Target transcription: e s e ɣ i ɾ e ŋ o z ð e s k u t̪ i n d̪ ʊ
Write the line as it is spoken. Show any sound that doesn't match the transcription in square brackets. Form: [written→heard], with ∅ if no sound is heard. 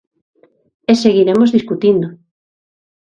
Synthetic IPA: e s e ɣ i ɾ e [ŋ→m] o z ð [e→i] s k u t̪ i n d̪ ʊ

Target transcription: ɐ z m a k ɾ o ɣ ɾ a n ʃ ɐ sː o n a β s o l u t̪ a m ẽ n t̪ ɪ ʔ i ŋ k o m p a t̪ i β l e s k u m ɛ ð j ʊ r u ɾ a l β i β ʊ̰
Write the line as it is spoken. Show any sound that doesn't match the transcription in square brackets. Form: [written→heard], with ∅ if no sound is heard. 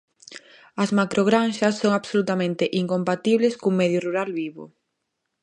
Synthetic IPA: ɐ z m a k ɾ o ɣ ɾ a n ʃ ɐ sː o [n→ŋ] a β s o l u t̪ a m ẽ n t̪ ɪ ʔ i ŋ k o m p a t̪ i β l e s k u m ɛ ð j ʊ r u ɾ a l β i β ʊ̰

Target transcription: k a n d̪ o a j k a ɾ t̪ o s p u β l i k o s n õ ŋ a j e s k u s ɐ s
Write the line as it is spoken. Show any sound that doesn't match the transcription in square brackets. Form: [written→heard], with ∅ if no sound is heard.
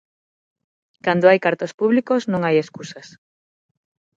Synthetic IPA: k a n d̪ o a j k a ɾ t̪ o s p u β l i k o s n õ ŋ a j e s k u s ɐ s

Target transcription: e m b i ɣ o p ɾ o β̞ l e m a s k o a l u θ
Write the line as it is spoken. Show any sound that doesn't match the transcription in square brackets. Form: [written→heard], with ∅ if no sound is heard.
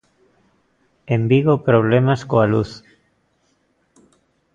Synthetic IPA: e m b i ɣ o p ɾ o β̞ l e m a s k o a l u θ

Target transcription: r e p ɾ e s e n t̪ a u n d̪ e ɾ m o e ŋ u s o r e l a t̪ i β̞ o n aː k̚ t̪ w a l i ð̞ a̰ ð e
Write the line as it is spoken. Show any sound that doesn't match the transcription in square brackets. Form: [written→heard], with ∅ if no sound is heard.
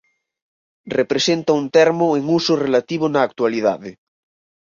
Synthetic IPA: r e p ɾ e s e n t̪ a u n [d̪→t̪] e ɾ m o e ŋ u s o r e l a t̪ i β̞ o n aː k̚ t̪ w a l i ð̞ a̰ ð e

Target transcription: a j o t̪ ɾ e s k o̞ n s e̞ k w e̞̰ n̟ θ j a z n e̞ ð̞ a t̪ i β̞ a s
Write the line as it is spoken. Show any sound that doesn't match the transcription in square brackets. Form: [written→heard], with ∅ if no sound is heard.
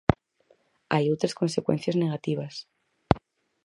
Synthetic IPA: a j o t̪ ɾ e s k o̞ n s e̞ k w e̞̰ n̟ θ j a z n e̞ [ð̞→ɣ̞] a t̪ i β̞ a s

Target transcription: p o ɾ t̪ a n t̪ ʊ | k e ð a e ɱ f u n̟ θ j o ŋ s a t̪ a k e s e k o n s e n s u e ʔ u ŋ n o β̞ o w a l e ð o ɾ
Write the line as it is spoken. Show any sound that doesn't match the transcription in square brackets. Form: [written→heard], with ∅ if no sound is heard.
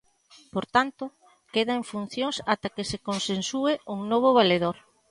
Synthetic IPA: p o ɾ t̪ a n t̪ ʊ | k e ð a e ɱ f u n̟ θ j o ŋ s a t̪ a k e s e k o n s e n s u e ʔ u ŋ n o β̞ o [w→β] a l e ð o ɾ

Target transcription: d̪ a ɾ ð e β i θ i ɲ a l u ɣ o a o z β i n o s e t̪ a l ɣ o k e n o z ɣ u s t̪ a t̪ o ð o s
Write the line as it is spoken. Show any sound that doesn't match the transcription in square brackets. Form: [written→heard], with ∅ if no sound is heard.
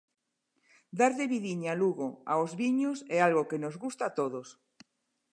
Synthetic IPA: d̪ a ɾ ð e β i [θ→ð] i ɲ a l u ɣ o a o z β i [n→ɲ] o s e [t̪→∅] a l ɣ o k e n o z ɣ u s t̪ a t̪ o ð o s

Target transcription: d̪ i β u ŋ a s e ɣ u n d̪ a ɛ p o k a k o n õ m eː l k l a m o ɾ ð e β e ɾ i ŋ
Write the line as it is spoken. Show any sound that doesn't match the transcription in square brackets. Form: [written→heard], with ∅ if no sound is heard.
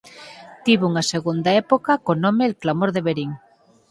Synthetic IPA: [d̪→t̪] i β u ŋ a s e ɣ u n d̪ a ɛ p o k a k o n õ m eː l k l a m o ɾ ð e β e ɾ i ŋ

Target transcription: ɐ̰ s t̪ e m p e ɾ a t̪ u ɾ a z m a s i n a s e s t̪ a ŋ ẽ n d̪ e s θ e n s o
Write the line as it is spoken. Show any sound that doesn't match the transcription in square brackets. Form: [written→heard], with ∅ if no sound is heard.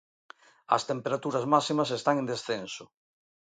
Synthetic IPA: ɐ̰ s t̪ e m p e ɾ a t̪ u ɾ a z m a s i [n→m] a s e s t̪ a ŋ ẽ n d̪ e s θ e n s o

